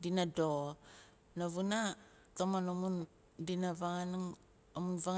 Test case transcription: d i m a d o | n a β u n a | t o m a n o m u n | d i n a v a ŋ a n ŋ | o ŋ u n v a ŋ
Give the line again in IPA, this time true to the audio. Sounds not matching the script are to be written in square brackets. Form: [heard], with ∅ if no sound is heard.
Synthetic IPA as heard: d i [n] a d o | n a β u n a | t o m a n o m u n | d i n a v a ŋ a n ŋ | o [m] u n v a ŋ